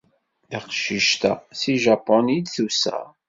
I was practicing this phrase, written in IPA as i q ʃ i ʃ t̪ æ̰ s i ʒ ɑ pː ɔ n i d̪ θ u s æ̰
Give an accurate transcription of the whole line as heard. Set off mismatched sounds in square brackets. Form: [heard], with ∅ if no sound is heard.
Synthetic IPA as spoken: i q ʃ i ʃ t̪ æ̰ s i ʒ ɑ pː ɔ n i d̪ θ u s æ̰

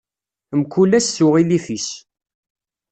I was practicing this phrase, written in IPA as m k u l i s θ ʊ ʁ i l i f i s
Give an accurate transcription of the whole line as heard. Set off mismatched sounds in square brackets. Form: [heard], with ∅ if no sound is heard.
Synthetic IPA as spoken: m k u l [æ] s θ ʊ ʁ i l i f i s

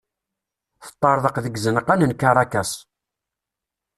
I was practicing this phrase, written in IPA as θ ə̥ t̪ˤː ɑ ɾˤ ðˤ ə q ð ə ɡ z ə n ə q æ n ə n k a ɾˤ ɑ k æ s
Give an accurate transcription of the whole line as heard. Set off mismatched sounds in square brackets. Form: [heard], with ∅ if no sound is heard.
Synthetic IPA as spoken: θ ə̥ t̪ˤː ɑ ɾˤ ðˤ ə q ð ə ɡ z ə n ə q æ n ə n k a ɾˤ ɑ k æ s

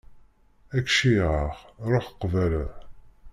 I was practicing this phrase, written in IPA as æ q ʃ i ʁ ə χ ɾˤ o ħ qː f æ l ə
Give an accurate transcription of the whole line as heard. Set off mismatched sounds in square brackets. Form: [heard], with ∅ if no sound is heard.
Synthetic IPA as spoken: æ [k] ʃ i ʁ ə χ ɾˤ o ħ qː [v] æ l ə

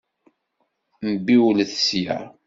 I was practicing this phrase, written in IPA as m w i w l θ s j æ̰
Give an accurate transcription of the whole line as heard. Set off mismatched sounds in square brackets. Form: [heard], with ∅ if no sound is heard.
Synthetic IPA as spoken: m [b] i w l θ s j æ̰

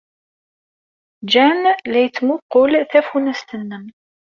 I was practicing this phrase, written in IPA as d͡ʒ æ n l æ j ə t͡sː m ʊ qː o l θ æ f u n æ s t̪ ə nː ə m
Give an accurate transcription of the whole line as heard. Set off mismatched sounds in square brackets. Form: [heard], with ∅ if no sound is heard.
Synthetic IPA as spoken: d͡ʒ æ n l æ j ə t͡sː m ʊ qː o l θ æ f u n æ s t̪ ə nː ə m

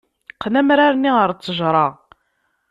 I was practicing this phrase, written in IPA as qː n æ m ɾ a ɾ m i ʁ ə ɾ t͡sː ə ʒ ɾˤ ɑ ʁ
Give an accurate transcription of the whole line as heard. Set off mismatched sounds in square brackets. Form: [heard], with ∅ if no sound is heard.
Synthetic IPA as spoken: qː n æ m ɾ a ɾ [n] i ʁ ə ɾ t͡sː ə ʒ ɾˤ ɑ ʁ

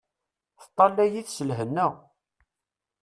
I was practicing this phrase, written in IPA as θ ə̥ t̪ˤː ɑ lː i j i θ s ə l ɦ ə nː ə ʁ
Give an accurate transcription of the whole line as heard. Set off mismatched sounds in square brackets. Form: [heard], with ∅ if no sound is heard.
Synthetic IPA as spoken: θ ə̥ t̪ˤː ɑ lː [æ] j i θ s ə l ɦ ə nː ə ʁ

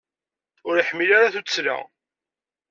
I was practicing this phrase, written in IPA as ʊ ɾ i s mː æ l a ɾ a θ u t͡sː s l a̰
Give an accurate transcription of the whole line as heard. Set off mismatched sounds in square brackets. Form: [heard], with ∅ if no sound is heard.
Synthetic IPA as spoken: ʊ ɾ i [ħ] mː [i] l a ɾ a θ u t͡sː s l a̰

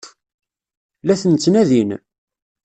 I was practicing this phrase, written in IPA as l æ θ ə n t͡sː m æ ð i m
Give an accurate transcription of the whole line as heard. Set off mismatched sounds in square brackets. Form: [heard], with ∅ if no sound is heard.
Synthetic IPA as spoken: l æ θ ə n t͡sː [n] æ ð i [n]

